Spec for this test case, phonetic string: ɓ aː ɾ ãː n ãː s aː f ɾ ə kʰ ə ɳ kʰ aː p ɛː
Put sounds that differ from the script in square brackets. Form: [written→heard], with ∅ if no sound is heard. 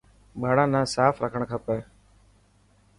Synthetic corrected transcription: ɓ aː [ɾ→ɽ] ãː n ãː s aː f ɾ ə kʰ ə ɳ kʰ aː p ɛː